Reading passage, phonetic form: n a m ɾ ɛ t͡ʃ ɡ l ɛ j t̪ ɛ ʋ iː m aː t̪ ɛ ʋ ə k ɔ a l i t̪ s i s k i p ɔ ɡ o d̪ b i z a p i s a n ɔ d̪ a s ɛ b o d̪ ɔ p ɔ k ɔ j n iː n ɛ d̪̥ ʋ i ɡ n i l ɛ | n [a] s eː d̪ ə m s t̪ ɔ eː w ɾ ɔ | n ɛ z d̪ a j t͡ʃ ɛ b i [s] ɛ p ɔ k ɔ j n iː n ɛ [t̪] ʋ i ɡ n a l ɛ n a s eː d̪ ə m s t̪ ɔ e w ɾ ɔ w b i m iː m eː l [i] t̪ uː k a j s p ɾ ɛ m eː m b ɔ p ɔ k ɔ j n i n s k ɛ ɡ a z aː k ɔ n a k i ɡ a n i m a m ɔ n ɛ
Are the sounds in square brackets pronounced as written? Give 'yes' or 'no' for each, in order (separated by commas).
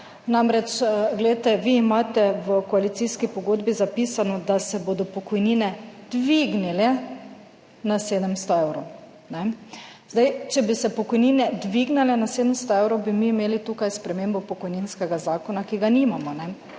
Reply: yes, yes, no, yes